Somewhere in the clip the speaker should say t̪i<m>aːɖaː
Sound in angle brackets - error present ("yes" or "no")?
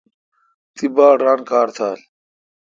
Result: yes